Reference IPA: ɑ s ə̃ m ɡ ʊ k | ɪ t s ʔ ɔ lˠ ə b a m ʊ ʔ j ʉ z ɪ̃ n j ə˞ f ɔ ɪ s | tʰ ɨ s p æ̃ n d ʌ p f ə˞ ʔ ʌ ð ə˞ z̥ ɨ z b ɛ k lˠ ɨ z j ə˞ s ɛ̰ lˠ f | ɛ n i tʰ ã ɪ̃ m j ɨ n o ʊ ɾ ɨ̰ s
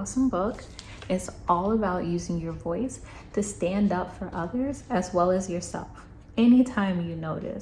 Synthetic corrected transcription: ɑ s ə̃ m b ʊ k | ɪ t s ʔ ɔ lˠ ə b a ʊ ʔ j ʉ z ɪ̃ ŋ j ə˞ v ɔ ɪ s | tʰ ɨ s t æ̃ n d ʌ p f ə˞ ʔ ʌ ð ə˞ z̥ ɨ z w ɛ lˠ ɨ z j ə˞ s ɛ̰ lˠ f | ɛ n i tʰ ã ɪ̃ m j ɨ n o ʊ ɾ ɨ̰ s